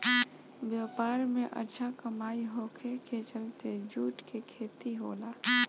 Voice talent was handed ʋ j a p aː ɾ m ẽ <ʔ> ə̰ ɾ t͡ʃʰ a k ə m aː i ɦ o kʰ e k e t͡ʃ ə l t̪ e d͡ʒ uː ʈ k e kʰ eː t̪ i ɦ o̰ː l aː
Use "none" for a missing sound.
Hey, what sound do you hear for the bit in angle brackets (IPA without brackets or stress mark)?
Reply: ʔ